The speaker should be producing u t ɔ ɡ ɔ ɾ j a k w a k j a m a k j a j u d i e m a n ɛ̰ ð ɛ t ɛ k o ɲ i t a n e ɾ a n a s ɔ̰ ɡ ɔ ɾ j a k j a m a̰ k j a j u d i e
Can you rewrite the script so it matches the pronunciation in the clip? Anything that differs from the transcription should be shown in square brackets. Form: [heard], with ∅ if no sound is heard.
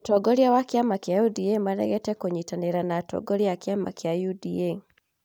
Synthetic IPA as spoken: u t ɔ ɡ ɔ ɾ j a [∅] w a k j a m a k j a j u d i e m a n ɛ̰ [ɣ] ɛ t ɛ k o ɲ i t a n e ɾ a n a [t] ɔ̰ ɡ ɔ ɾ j a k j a m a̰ k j a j u d i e